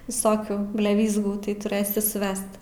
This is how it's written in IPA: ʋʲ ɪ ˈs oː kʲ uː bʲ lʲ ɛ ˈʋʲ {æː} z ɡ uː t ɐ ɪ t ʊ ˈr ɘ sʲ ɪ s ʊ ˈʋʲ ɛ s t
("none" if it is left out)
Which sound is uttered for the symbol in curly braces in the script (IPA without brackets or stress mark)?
iː